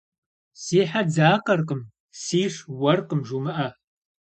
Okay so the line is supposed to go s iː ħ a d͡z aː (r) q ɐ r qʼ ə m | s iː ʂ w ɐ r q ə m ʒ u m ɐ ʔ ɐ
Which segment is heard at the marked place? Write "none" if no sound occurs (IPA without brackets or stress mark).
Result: none